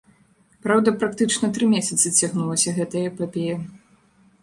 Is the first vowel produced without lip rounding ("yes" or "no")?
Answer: yes